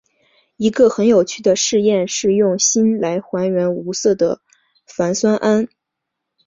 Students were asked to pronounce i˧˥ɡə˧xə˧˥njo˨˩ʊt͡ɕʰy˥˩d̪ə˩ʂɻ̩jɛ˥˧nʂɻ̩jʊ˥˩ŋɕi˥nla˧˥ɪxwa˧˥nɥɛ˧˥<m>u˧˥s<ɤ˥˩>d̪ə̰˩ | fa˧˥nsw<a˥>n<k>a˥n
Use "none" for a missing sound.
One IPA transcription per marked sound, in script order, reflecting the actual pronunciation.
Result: n, ɤ˥˩, a˥, ʔ

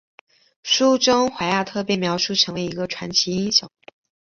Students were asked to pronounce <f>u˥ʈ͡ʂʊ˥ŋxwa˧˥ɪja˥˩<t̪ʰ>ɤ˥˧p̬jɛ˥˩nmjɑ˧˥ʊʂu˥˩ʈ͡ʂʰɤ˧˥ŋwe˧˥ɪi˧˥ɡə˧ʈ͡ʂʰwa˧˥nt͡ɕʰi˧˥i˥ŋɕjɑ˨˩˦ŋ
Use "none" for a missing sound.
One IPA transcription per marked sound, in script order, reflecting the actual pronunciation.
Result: ʂ, t̪ʰ

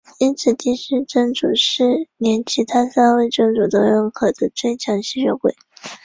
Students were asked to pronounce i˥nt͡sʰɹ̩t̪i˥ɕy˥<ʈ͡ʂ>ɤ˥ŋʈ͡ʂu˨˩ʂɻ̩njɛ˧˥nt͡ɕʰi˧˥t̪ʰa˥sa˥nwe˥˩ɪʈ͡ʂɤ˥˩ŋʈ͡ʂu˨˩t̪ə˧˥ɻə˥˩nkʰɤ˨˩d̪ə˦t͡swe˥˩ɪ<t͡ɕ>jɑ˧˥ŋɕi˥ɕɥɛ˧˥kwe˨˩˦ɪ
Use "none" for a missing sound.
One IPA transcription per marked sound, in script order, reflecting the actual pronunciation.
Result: ʈ͡ʂ, t͡ɕʰ

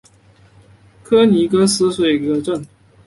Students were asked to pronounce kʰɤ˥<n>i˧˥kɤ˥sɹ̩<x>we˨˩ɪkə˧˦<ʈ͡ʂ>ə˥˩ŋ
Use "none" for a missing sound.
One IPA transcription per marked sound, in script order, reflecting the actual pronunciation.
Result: n, s, ʈ͡ʂ

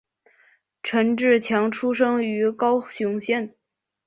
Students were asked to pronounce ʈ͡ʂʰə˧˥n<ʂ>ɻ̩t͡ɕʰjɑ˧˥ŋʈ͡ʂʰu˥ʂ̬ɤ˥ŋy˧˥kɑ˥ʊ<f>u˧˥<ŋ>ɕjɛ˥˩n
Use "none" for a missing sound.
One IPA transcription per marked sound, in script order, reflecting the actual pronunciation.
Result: ʈ͡ʂ, ɕ, ŋ

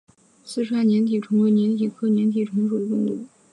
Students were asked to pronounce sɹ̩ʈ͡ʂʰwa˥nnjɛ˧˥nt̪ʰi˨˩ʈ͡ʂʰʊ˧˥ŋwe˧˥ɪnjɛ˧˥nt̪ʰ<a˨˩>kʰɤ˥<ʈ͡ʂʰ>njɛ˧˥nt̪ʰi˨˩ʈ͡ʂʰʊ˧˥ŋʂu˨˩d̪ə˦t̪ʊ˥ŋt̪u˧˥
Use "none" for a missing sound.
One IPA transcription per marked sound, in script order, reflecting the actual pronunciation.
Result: i˨˩, none

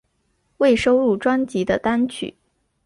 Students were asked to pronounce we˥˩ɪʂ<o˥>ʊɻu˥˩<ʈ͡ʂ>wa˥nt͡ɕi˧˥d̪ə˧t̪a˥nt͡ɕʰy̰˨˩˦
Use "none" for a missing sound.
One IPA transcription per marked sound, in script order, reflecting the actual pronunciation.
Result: o˥, ʈ͡ʂ

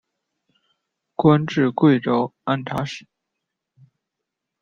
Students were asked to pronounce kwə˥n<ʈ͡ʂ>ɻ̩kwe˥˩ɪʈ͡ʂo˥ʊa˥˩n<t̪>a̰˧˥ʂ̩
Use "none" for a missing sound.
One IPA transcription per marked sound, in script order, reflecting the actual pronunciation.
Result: ʈ͡ʂ, t̪ʰ

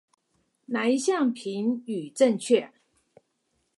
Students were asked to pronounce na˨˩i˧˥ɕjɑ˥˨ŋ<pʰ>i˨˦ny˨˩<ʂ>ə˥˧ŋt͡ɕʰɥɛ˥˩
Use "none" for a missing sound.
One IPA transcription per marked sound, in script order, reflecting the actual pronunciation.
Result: pʰ, ʈ͡ʂ

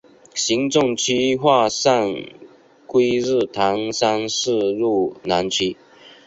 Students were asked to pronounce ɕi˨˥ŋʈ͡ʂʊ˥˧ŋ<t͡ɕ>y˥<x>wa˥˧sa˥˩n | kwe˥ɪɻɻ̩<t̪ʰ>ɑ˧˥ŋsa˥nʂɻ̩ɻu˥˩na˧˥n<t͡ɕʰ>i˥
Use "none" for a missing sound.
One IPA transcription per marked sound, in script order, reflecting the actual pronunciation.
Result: t͡ɕʰ, x, t̪ʰ, t͡ɕʰ

